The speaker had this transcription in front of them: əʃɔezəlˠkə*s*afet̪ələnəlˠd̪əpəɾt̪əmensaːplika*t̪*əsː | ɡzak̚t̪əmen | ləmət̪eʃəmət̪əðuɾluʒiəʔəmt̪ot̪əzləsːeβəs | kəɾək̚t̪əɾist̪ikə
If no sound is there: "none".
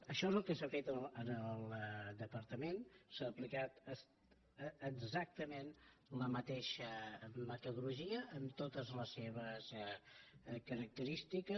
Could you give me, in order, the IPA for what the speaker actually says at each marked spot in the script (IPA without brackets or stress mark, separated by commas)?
s, t̪